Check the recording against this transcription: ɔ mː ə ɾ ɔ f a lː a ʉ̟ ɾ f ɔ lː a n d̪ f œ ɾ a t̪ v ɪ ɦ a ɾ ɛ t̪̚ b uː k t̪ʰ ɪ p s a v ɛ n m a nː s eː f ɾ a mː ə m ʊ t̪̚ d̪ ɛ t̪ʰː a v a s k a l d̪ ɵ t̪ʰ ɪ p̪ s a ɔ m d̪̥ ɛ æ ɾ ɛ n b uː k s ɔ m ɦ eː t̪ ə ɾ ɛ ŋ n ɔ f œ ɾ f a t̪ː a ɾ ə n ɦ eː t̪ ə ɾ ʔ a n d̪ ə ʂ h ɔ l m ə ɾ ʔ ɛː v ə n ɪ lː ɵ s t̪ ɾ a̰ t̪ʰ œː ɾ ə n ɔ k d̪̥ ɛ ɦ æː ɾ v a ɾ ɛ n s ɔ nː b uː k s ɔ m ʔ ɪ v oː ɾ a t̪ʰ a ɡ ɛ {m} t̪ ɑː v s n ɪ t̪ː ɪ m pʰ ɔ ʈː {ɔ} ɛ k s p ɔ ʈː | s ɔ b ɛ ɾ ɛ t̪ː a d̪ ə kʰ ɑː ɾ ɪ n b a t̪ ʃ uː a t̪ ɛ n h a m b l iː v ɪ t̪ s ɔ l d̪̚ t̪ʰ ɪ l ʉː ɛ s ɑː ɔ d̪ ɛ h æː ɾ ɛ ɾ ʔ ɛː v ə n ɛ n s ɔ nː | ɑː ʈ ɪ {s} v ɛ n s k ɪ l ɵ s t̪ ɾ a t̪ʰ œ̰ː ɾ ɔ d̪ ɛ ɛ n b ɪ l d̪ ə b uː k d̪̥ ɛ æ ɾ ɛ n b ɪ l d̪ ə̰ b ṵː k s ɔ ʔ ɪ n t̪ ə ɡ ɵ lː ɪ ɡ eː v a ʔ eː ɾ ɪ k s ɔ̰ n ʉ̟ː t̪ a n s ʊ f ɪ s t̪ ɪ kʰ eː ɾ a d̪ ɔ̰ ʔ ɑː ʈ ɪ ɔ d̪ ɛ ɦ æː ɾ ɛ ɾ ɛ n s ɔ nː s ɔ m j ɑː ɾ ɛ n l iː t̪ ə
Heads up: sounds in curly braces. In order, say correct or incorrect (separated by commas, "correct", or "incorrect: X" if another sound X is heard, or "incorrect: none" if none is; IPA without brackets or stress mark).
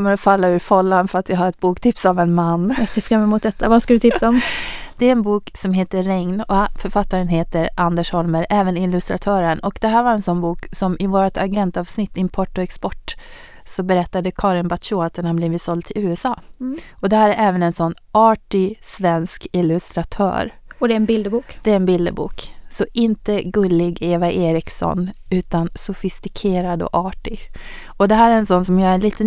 incorrect: n, correct, correct